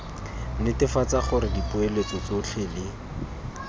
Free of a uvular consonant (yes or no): no